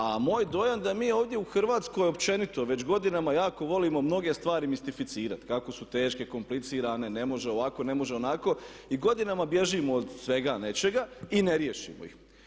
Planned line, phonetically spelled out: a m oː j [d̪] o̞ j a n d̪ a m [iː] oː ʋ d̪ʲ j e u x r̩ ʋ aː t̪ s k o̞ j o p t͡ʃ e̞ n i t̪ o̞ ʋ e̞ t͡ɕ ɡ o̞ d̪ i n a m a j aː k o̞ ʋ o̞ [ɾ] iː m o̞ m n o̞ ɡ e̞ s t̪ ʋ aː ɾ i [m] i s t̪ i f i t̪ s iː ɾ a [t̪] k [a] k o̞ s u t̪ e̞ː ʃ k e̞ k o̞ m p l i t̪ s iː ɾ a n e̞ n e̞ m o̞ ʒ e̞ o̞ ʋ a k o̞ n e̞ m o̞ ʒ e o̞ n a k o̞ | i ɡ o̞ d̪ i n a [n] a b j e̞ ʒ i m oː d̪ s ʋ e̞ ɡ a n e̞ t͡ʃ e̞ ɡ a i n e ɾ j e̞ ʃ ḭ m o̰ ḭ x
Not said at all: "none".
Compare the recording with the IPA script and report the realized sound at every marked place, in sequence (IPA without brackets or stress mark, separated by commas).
d̪, iː, l, m, t̪, a, m